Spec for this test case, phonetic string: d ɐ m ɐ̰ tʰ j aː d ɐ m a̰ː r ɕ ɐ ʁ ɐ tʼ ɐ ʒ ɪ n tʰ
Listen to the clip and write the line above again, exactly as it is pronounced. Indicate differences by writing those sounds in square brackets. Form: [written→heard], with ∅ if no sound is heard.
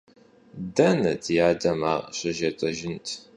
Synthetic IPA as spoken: d ɐ [m→n] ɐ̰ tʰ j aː d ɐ m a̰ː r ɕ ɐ [ʁ→ʒ] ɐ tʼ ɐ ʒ ɪ n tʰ